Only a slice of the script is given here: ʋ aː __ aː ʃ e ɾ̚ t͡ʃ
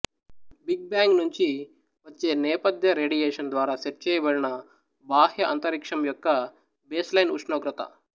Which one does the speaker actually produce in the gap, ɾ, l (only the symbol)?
ɾ